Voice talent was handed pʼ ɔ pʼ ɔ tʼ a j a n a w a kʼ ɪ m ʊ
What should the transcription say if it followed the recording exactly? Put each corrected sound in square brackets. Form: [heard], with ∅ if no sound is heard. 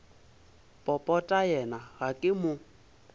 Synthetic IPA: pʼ ɔ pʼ ɔ tʼ a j [ɛ] n a [ɣ] a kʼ ɪ m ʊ